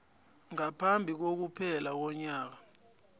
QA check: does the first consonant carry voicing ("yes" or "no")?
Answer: yes